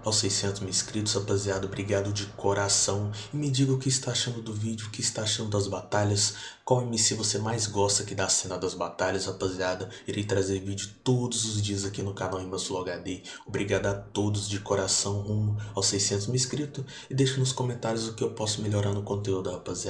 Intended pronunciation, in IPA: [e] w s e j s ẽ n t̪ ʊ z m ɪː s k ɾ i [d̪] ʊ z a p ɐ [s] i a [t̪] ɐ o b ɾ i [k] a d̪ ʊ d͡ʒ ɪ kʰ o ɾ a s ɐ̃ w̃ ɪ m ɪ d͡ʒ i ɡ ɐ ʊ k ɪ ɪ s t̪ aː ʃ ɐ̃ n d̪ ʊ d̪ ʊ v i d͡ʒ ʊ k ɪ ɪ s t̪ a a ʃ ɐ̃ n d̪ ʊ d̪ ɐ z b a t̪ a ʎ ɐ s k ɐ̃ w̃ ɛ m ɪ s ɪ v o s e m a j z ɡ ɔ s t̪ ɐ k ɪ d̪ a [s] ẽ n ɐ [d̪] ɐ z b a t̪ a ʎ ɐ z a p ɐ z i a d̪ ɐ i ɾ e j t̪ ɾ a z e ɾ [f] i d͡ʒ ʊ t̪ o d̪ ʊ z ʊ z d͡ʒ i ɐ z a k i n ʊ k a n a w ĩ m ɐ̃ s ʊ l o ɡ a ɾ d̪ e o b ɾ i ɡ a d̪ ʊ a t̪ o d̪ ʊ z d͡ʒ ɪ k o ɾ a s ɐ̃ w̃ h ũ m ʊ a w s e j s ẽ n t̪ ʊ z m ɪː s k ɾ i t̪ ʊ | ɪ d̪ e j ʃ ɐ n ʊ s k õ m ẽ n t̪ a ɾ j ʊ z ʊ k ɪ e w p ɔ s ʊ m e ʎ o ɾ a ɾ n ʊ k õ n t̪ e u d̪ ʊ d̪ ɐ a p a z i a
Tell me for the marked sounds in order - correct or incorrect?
incorrect, incorrect, incorrect, incorrect, incorrect, correct, correct, incorrect

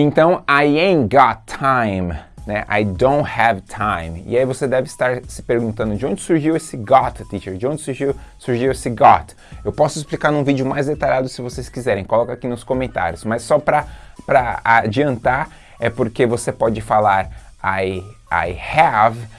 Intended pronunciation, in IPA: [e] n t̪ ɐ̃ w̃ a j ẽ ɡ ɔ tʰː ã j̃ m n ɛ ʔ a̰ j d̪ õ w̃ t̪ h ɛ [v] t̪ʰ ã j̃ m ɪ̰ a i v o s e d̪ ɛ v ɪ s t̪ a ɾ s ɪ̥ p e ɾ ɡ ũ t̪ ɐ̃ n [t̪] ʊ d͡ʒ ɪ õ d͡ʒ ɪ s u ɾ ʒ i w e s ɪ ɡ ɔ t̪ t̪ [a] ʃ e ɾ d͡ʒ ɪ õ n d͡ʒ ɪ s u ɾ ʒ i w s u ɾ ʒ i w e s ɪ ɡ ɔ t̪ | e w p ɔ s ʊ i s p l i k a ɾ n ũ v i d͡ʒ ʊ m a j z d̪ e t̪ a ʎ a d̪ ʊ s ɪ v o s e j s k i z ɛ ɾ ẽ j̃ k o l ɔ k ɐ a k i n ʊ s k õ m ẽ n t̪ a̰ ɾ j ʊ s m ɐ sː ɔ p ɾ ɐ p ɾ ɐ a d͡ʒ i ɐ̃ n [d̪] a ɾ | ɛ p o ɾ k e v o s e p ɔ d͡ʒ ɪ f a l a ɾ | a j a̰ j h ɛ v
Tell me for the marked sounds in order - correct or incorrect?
incorrect, correct, incorrect, incorrect, incorrect

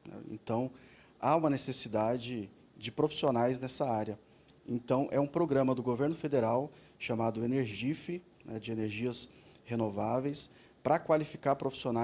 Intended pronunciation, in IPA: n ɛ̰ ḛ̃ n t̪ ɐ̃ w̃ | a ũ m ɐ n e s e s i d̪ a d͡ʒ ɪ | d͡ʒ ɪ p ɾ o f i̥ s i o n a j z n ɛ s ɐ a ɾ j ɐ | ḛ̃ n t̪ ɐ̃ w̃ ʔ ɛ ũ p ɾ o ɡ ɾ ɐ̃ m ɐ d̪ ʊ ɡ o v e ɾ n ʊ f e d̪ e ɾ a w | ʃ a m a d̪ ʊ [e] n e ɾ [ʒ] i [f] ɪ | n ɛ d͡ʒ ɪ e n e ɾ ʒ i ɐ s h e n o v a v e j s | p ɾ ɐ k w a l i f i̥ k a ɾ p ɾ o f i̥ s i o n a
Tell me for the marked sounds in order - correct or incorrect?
correct, correct, correct

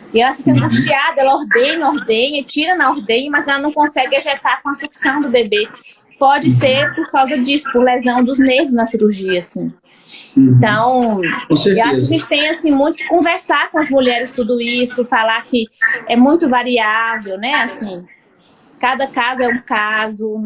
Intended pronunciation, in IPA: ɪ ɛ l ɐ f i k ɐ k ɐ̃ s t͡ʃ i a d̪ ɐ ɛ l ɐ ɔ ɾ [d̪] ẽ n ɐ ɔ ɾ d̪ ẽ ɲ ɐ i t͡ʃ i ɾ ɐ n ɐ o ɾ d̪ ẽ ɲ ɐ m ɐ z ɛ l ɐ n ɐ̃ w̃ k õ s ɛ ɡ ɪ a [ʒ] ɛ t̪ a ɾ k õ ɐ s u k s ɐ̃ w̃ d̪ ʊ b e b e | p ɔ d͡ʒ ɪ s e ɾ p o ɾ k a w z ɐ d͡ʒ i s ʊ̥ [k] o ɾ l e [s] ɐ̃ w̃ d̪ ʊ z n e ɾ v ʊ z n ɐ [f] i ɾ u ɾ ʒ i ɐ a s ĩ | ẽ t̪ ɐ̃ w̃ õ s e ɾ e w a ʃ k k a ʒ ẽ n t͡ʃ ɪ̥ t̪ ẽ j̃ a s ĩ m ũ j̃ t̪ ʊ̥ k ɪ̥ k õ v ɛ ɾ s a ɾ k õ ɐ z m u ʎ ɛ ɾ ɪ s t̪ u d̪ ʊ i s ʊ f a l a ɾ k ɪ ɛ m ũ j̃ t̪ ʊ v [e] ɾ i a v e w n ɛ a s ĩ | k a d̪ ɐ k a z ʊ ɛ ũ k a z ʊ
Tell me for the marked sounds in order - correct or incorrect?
correct, correct, incorrect, incorrect, incorrect, incorrect

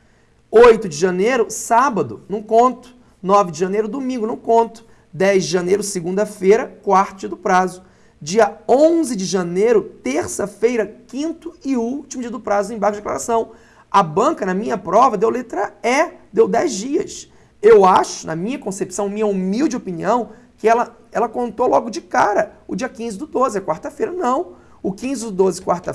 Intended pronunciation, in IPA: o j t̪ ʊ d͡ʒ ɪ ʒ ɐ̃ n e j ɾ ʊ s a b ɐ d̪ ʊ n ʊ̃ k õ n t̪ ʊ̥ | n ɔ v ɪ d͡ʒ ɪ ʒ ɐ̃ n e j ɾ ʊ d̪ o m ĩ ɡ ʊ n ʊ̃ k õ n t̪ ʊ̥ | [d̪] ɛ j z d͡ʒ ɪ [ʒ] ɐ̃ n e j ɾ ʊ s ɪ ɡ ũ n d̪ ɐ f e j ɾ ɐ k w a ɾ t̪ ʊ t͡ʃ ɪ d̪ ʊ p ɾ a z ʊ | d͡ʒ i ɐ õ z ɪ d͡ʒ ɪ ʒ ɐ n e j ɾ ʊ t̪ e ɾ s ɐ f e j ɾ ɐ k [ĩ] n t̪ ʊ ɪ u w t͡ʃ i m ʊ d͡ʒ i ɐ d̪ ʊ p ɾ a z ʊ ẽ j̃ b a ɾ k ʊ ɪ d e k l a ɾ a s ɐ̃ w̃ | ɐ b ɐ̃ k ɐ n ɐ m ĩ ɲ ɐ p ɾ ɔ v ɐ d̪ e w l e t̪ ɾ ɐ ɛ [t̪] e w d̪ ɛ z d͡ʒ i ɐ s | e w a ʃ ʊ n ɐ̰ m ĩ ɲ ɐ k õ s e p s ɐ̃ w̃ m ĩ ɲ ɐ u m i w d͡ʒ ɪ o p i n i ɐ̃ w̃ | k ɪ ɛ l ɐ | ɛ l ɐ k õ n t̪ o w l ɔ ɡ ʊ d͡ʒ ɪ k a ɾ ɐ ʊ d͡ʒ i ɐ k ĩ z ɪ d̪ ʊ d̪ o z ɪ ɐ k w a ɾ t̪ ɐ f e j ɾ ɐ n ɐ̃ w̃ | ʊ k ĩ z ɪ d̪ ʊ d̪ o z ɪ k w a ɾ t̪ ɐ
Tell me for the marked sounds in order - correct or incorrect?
correct, correct, correct, incorrect

